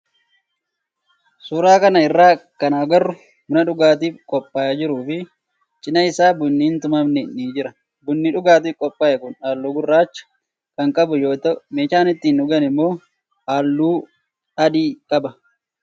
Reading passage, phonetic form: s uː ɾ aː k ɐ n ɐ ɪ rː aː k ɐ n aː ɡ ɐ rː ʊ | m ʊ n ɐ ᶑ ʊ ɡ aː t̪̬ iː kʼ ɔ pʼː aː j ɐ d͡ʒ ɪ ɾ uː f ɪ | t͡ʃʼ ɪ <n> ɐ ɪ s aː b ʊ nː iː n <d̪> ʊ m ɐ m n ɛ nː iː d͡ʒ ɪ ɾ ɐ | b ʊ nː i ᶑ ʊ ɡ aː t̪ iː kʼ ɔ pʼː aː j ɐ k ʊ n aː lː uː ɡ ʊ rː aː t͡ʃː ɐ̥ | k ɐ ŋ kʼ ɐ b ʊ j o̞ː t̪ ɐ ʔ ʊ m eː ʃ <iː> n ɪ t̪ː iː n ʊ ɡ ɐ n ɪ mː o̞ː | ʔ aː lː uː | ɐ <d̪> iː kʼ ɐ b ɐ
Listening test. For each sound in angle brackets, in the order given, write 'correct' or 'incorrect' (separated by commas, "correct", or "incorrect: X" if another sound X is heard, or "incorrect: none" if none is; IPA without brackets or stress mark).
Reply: correct, incorrect: t̪, incorrect: aː, correct